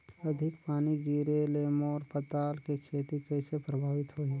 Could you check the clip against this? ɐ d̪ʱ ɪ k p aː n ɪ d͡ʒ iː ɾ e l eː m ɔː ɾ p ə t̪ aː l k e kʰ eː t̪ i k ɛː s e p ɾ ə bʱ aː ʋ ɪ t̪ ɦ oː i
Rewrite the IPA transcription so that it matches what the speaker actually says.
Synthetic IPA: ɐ d̪ʱ ɪ k p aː n i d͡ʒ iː ɾ e l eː m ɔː ɾ p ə t̪ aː l k e kʰ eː t̪ i k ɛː s e p ɾ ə bʱ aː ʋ ɪ t̪ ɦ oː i